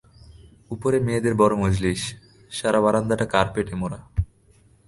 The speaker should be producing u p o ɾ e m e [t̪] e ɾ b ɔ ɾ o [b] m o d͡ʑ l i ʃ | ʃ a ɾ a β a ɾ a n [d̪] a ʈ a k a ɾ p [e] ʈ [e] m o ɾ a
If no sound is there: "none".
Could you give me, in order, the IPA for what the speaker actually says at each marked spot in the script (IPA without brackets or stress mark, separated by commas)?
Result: d̪, none, d̪, e, e